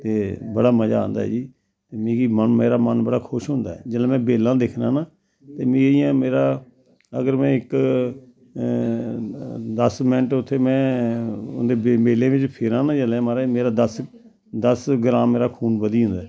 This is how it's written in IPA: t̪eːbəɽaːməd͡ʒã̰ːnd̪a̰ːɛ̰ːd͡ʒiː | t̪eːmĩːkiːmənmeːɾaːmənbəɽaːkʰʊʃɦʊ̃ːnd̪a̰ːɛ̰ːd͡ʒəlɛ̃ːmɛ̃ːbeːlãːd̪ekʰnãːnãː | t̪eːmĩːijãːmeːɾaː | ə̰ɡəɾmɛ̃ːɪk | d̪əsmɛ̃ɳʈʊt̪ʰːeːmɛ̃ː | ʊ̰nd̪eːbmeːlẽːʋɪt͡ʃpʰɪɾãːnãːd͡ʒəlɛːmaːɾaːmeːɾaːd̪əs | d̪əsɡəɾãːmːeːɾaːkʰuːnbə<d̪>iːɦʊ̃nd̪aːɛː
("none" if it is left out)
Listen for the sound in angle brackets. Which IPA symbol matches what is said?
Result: d̪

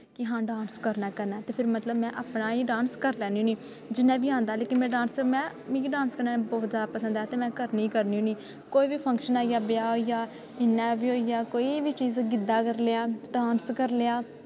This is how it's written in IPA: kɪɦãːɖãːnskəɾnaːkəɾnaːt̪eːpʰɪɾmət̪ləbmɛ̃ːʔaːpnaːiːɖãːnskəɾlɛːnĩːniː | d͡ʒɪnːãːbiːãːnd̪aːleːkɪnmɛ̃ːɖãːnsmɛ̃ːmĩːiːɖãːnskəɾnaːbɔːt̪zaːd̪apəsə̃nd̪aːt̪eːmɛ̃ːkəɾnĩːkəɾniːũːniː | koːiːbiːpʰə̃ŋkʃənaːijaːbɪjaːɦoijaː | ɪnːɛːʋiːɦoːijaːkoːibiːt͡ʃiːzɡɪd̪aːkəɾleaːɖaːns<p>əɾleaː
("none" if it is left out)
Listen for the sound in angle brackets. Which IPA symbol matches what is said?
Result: k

